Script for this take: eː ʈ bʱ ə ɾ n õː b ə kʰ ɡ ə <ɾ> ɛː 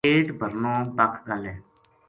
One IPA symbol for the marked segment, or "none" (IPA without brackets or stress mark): l